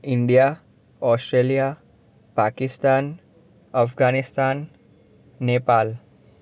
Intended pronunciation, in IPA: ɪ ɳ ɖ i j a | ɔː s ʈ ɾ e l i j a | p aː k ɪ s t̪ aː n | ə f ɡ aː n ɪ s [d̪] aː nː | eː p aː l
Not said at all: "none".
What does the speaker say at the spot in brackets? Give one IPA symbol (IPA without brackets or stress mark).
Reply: t̪